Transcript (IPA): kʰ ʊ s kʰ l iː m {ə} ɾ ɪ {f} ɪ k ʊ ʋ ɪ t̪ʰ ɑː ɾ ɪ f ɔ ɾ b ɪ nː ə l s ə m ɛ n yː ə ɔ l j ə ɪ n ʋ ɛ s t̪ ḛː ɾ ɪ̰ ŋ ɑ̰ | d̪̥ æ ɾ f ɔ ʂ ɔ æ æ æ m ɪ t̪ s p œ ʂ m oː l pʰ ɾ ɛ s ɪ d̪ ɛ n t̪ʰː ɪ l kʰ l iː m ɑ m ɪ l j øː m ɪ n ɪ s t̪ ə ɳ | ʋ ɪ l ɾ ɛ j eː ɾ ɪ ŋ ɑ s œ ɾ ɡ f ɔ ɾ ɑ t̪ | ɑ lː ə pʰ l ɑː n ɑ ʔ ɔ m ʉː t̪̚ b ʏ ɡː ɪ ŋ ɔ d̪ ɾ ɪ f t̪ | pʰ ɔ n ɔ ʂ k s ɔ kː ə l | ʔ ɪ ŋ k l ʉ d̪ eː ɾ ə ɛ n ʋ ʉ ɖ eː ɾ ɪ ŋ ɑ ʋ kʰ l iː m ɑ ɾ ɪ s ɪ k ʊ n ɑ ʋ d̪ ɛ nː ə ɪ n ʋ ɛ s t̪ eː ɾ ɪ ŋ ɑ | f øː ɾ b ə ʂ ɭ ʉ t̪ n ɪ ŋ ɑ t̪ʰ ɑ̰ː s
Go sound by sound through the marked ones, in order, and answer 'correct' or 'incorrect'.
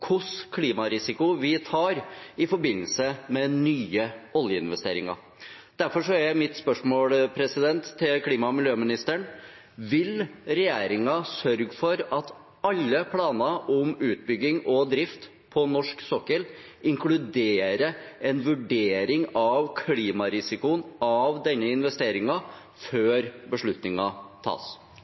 incorrect, incorrect

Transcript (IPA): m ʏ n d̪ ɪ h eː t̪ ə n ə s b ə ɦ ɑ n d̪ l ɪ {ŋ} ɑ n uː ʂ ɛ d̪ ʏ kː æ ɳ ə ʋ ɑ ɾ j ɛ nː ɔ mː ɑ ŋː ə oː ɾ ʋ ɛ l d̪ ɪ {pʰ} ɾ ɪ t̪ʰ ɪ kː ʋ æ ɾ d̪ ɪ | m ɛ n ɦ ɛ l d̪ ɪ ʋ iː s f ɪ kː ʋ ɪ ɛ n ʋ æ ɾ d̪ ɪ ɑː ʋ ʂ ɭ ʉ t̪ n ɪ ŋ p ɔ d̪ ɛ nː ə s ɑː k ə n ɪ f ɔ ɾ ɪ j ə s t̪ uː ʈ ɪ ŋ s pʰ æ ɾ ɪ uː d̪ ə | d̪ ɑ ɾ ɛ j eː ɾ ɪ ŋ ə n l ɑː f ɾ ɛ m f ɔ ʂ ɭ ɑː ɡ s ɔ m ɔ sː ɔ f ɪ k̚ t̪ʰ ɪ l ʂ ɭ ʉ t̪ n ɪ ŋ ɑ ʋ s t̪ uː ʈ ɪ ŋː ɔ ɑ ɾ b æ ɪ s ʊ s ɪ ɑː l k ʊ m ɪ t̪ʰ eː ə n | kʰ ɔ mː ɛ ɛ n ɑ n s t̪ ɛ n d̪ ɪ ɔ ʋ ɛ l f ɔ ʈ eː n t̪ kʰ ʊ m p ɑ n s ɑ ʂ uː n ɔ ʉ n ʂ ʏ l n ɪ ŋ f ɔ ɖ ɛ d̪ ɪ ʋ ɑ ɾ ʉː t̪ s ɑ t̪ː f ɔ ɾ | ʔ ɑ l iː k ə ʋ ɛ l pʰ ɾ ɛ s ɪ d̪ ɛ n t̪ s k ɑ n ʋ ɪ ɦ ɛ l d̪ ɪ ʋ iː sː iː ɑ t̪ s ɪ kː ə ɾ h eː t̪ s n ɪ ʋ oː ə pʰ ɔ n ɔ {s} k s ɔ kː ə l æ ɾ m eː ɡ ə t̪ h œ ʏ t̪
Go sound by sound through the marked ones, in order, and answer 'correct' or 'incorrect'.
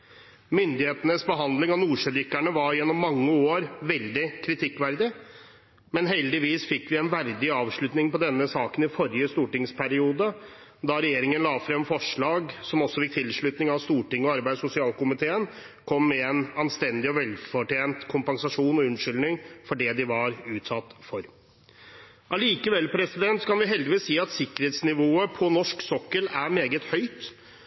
correct, incorrect, incorrect

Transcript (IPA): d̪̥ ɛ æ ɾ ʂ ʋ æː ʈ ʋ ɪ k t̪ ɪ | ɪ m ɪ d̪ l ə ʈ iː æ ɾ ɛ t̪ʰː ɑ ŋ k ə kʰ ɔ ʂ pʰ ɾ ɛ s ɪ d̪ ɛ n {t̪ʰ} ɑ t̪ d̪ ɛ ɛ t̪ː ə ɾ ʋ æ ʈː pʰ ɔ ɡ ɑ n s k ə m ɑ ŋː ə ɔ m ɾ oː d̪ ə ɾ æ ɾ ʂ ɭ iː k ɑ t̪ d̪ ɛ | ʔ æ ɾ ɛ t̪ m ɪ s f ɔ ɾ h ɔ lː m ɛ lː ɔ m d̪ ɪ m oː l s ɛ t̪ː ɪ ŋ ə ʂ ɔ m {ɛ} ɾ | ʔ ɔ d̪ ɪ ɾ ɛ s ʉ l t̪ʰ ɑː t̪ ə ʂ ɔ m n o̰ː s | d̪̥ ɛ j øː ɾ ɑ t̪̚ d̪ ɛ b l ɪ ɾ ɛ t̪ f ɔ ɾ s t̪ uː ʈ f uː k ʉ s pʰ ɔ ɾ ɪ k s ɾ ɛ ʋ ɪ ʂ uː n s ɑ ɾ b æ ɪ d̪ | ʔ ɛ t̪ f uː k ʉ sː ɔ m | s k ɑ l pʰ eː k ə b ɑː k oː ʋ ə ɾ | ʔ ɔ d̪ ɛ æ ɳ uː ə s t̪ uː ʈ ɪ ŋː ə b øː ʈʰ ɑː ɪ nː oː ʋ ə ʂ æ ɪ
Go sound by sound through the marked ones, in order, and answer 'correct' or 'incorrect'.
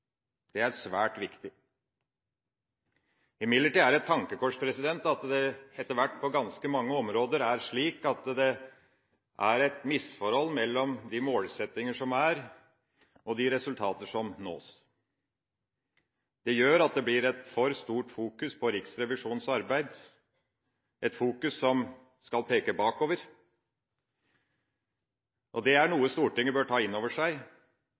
incorrect, incorrect

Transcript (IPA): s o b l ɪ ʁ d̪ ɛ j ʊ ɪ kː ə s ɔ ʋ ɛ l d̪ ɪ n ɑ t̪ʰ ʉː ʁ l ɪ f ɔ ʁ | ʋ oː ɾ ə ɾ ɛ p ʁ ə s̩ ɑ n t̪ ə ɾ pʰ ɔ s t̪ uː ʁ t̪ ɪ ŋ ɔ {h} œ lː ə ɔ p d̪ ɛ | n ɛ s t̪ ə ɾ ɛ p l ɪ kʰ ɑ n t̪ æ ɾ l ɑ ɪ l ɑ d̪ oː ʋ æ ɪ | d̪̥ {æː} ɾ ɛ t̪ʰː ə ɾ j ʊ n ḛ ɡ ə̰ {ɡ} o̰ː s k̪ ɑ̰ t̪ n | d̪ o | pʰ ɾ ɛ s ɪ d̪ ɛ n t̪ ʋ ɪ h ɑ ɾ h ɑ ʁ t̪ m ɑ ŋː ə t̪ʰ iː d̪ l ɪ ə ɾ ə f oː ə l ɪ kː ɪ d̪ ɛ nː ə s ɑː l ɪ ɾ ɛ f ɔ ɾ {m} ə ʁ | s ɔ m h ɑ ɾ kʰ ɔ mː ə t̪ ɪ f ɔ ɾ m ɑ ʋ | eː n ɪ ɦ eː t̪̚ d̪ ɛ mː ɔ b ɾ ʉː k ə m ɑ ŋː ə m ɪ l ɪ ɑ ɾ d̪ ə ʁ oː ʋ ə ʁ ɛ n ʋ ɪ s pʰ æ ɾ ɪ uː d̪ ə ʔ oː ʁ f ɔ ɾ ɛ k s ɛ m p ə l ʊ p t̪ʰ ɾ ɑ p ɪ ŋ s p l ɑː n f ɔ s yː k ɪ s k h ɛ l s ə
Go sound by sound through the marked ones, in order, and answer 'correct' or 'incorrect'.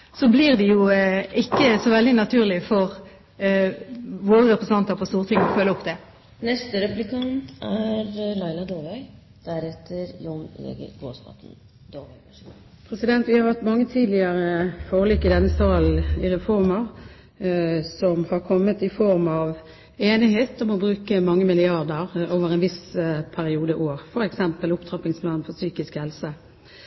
incorrect, incorrect, correct, correct

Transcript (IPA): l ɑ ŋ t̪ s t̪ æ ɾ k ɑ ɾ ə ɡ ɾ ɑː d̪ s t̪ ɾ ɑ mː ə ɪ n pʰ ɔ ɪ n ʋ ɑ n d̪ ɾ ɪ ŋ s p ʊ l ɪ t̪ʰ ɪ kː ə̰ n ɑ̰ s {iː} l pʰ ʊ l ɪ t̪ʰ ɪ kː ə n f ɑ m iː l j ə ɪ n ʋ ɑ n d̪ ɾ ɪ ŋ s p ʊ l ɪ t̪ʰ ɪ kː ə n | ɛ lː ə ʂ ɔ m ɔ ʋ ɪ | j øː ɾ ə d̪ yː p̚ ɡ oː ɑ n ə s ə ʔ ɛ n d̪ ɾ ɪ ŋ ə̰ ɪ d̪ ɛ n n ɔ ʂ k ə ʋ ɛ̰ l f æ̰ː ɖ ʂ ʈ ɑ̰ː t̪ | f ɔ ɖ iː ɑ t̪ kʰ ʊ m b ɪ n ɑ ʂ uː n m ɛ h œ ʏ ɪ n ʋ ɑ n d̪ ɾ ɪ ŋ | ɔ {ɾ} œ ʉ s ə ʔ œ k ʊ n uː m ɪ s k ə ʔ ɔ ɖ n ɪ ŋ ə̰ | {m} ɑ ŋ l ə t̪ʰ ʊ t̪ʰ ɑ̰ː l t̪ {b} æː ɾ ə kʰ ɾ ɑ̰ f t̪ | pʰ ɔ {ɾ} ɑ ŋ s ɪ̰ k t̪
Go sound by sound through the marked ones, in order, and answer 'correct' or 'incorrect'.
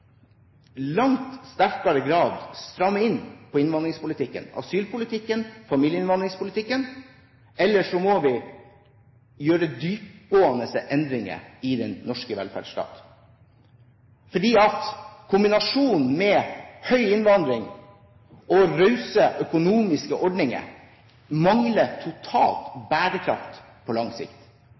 incorrect, correct, correct, correct, incorrect

